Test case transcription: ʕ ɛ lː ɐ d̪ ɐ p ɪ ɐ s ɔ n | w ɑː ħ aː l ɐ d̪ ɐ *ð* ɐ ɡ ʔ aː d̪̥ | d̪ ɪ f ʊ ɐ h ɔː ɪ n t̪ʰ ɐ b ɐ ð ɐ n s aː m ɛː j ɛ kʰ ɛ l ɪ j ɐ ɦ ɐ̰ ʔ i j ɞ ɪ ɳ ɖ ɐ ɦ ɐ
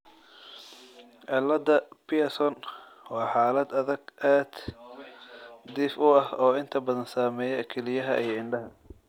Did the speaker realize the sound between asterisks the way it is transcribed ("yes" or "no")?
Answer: yes